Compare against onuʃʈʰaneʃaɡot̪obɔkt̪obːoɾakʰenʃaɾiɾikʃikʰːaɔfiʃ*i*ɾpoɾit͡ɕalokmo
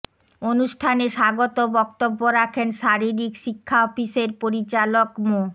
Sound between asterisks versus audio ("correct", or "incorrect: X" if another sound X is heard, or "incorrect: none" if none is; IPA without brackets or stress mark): incorrect: e